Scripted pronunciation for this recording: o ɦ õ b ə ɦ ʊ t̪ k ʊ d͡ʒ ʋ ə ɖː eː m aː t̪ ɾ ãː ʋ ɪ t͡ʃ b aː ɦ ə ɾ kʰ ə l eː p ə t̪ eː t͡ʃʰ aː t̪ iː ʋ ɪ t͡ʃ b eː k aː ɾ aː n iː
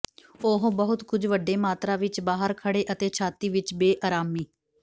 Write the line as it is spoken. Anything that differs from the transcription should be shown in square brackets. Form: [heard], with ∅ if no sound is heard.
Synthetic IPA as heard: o ɦ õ b ə ɦ ʊ t̪ k ʊ d͡ʒ ʋ ə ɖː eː m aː t̪ ɾ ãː ʋ ɪ t͡ʃ b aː ɦ ə ɾ kʰ ə [ɽ] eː [ʔ] ə t̪ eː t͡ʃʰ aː t̪ iː ʋ ɪ t͡ʃ b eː [ʔ] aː ɾ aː [m] iː